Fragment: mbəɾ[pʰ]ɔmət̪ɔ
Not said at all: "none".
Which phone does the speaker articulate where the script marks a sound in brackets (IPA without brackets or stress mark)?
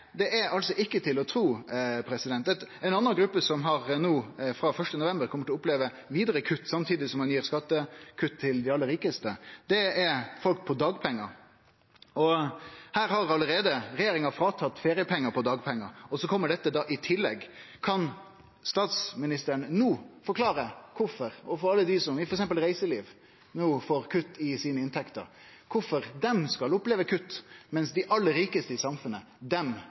kʰ